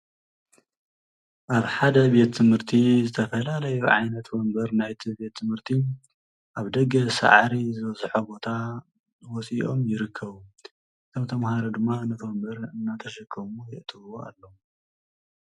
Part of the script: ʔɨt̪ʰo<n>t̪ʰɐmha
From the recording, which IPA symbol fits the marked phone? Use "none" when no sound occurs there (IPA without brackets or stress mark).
m